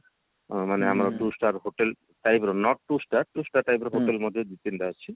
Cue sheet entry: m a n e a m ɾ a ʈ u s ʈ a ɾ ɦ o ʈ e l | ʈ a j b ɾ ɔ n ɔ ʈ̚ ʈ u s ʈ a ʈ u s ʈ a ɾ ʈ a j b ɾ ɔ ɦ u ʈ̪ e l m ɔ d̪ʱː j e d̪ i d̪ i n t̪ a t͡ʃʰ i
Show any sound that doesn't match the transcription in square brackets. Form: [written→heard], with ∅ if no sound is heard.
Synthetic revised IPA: m a n e a m ɾ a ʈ u s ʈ a ɾ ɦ o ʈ e l | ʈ a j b ɾ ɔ n ɔ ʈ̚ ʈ u s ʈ a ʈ u s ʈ a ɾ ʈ a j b ɾ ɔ ɦ [u→o] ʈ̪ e l m ɔ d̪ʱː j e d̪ i [d̪→t̪] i n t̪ a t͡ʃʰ i